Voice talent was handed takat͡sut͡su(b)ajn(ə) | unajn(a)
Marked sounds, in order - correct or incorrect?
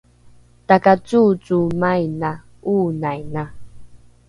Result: incorrect: m, incorrect: a, correct

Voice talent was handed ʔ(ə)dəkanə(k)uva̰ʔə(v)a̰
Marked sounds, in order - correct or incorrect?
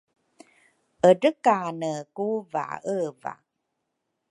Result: correct, correct, correct

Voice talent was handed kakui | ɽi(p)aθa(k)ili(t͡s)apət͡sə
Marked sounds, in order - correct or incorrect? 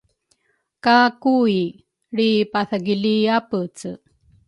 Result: correct, incorrect: ɡ, incorrect: none

